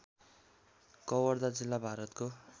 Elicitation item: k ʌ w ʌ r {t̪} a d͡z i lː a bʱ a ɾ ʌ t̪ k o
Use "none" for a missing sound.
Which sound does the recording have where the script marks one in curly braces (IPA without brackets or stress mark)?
d̪